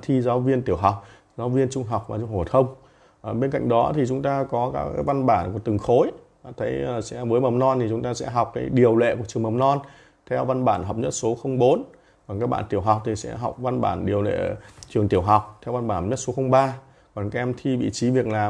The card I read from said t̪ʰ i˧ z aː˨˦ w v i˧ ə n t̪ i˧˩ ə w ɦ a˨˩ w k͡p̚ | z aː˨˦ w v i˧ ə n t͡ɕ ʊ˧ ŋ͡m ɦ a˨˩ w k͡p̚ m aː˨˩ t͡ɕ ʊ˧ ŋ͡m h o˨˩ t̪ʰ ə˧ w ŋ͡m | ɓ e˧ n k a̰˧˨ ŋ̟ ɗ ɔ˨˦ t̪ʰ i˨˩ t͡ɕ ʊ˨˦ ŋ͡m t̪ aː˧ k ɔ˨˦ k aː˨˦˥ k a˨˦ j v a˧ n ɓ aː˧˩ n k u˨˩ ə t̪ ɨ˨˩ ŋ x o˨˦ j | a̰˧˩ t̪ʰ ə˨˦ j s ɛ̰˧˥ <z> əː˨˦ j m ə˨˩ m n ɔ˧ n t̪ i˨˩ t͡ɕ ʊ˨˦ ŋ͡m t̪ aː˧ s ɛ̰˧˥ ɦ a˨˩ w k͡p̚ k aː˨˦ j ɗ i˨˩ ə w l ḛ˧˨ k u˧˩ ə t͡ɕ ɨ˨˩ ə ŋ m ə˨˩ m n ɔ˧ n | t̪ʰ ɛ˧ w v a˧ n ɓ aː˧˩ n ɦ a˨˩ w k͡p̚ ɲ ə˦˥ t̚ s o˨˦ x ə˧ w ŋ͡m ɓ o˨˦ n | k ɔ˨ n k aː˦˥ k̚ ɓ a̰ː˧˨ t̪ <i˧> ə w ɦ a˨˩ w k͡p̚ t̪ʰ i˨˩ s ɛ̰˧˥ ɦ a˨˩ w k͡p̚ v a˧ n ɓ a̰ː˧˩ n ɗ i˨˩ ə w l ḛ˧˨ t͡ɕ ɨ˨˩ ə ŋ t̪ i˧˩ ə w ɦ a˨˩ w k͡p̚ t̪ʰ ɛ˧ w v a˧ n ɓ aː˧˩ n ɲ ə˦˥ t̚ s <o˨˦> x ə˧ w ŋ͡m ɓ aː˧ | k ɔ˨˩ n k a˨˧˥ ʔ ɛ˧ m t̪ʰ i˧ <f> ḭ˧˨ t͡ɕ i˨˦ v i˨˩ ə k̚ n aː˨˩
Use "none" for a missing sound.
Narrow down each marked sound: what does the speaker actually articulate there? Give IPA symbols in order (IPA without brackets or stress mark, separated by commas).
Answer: v, i˧˩, o˨˦, v